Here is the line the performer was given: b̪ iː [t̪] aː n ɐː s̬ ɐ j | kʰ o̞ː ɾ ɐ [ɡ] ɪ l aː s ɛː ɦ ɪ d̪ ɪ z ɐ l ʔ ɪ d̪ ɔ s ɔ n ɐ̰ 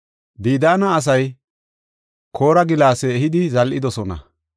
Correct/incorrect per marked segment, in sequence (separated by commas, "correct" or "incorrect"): incorrect, correct